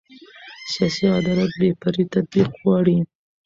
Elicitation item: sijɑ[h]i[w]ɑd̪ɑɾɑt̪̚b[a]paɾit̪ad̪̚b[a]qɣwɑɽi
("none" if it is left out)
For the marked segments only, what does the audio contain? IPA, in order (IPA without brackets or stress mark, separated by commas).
s, none, e, i